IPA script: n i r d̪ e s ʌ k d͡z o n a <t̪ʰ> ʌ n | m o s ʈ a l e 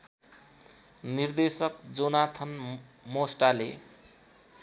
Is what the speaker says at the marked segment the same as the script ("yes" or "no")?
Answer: yes